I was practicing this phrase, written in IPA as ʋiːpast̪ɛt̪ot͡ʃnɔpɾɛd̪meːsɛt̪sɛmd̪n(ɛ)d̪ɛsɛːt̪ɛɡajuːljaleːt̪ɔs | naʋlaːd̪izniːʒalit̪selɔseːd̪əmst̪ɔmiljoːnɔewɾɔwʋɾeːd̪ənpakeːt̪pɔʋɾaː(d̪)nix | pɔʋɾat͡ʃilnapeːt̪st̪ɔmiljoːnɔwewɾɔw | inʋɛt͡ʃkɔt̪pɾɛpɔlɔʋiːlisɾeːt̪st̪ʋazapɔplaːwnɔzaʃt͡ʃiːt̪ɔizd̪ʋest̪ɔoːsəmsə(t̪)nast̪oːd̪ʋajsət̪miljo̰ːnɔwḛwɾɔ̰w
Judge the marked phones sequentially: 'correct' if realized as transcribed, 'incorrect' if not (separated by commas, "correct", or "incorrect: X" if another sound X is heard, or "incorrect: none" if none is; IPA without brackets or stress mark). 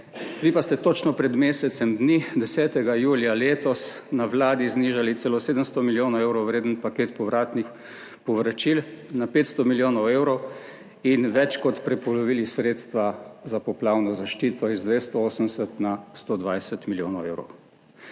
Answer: incorrect: i, incorrect: t̪, correct